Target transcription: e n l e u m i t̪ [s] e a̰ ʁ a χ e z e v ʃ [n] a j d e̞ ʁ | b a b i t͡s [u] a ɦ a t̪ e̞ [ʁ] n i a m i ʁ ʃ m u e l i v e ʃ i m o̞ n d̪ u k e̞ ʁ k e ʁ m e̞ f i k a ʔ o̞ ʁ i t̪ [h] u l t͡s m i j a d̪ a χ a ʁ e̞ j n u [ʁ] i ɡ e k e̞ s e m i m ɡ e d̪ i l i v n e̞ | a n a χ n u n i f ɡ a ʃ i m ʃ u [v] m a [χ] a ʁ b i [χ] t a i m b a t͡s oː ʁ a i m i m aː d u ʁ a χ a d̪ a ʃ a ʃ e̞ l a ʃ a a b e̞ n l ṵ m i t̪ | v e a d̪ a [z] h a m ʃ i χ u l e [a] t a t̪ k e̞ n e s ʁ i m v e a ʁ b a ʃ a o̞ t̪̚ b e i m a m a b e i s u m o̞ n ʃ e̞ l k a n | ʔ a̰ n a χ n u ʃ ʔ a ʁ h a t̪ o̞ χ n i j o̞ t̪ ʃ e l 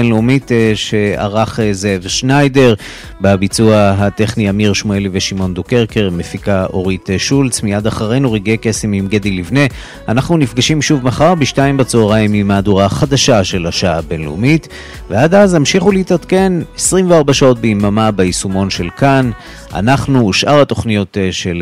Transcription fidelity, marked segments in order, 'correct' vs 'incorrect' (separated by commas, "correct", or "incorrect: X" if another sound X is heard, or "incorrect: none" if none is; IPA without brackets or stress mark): incorrect: ʃ, correct, correct, incorrect: χ, incorrect: ʃ, correct, correct, correct, incorrect: ʃ, correct, incorrect: i